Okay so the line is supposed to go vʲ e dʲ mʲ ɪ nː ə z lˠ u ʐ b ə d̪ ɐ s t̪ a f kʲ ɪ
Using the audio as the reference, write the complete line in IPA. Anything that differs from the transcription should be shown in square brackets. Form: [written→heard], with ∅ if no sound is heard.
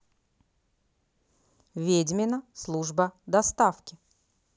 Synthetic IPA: vʲ e dʲ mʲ ɪ [nː→n] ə [z→s] lˠ u ʐ b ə d̪ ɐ s t̪ a f kʲ ɪ